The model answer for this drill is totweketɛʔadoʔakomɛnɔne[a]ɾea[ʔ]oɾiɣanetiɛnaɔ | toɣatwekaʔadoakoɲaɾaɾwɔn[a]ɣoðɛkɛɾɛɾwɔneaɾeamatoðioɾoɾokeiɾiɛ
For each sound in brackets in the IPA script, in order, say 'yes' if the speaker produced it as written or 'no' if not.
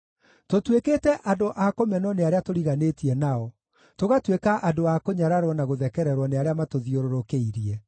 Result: yes, no, yes

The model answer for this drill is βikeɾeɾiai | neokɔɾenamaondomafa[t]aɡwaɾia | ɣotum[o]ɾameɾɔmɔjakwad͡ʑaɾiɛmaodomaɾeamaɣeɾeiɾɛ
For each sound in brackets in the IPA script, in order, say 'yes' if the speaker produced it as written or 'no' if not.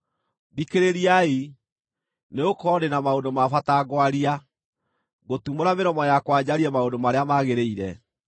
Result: yes, yes

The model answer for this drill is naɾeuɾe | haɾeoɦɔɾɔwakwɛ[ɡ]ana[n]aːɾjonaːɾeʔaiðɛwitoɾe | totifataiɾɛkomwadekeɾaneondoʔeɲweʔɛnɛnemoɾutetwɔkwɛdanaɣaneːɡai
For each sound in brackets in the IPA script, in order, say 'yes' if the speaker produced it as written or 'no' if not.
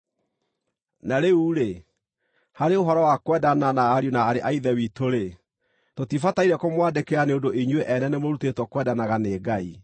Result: no, yes

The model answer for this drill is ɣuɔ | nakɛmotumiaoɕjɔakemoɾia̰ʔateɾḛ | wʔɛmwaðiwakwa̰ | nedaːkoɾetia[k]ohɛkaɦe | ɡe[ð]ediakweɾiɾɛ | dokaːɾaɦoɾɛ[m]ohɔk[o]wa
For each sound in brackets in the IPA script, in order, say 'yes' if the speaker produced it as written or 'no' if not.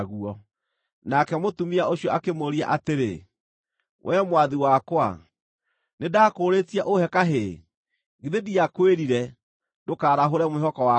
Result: no, yes, yes, no

